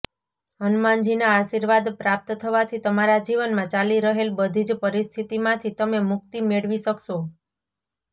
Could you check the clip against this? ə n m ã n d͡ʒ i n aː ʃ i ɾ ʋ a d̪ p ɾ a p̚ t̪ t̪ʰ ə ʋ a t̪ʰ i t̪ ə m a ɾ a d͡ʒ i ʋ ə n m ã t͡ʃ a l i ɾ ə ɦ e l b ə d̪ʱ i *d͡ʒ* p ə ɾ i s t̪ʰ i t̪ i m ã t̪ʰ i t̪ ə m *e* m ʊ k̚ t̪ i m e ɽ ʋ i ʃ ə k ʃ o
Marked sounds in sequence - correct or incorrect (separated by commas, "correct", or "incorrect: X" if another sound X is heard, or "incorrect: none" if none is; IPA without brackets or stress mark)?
correct, correct